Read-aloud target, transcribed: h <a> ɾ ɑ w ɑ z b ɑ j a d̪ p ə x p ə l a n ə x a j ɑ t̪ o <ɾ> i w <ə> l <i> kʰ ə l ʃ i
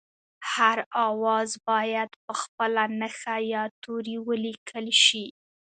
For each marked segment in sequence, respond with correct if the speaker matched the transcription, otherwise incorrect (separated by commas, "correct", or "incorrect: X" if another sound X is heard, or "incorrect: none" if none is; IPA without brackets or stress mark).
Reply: correct, correct, correct, correct